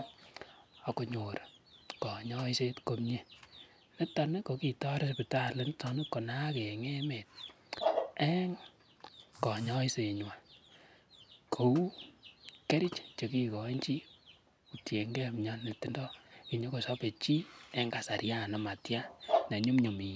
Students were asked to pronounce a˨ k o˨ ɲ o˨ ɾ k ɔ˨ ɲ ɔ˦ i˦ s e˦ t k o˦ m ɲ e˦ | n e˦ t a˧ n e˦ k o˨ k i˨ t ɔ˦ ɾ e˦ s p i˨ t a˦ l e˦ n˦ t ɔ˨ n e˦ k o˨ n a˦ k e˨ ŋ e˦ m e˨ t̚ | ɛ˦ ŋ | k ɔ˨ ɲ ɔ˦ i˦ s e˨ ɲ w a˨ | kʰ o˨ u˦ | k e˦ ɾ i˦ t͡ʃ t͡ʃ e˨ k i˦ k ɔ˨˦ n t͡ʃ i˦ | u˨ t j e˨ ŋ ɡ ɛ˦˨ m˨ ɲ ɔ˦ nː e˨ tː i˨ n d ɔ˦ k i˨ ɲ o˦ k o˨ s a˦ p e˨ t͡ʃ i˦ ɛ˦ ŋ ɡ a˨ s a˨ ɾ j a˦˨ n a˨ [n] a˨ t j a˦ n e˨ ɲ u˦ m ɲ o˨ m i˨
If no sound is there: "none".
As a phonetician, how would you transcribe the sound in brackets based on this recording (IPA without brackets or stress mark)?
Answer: m